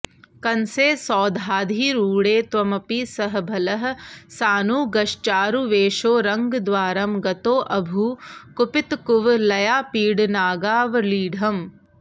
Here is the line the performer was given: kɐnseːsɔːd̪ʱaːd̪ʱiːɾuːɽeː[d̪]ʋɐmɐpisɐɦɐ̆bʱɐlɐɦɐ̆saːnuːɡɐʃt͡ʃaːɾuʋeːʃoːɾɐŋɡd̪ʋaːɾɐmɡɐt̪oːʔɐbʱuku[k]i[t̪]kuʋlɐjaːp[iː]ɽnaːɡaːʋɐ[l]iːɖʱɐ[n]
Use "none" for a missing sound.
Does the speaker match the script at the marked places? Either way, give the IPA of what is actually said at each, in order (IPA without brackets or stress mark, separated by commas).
t̪, p, t̪, iː, l, m